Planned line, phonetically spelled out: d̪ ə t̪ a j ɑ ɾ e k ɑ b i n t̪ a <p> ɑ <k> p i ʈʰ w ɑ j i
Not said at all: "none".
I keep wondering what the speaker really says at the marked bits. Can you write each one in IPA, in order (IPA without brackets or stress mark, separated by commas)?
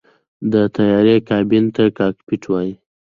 k, k